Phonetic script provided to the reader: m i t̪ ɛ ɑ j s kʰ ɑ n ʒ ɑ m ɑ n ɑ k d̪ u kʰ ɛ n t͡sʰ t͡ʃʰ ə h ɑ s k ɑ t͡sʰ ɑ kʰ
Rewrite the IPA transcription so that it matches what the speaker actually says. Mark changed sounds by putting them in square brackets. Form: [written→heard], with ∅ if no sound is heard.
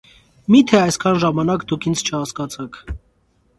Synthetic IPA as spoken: m i [t̪→t̪ʰ] ɛ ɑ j s kʰ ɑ n ʒ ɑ m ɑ n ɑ k d̪ u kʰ [ɛ→i] n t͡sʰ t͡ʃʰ ə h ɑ s k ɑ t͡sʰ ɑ kʰ